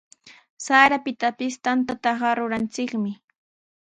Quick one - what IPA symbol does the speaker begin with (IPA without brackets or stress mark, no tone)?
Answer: s